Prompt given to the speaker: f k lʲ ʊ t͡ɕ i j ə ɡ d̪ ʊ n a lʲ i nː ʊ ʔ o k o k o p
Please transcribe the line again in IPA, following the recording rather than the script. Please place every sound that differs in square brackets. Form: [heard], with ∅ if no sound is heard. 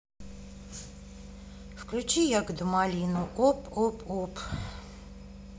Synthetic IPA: f k lʲ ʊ t͡ɕ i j [a] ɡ d̪ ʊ [m] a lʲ i [n] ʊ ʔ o [p] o [p] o p